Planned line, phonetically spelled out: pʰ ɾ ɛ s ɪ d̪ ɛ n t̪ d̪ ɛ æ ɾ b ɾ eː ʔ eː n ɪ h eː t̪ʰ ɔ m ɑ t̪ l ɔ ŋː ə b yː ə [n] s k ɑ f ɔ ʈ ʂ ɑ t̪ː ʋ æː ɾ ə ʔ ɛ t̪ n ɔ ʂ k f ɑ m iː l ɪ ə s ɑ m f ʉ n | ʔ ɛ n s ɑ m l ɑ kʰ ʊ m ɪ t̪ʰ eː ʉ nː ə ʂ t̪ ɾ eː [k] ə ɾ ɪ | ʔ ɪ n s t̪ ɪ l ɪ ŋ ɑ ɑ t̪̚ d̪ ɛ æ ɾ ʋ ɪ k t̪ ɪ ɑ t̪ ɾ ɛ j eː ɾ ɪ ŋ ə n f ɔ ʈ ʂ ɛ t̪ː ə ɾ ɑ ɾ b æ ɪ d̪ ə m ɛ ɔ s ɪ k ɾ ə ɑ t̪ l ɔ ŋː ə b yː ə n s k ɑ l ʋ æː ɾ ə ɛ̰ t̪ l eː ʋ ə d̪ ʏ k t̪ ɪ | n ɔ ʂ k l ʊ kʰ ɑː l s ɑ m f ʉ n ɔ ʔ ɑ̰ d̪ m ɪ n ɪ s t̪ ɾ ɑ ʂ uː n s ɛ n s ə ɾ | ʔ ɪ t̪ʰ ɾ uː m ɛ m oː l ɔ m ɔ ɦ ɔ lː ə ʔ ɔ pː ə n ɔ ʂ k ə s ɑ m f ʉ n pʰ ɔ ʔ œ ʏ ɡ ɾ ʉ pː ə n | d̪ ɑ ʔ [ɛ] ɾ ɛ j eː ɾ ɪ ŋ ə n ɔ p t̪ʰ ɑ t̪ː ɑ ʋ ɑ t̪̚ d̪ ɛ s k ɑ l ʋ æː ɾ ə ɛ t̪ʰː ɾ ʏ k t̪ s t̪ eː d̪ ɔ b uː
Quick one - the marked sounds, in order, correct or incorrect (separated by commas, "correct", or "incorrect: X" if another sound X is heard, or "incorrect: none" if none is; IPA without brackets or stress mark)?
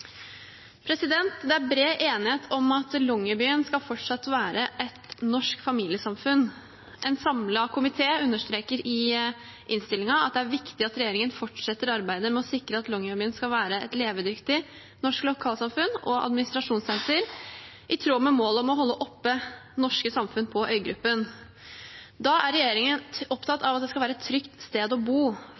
correct, correct, incorrect: æ